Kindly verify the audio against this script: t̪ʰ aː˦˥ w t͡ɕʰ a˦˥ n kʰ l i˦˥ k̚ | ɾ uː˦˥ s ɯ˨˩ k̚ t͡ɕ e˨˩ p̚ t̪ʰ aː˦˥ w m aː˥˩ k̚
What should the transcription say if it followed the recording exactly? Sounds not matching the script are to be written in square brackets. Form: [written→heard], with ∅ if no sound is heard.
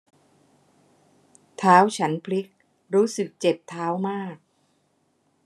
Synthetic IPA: t̪ʰ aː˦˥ w t͡ɕʰ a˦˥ n [kʰ→pʰ] l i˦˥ k̚ | ɾ uː˦˥ s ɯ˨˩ k̚ t͡ɕ e˨˩ p̚ t̪ʰ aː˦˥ w m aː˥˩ k̚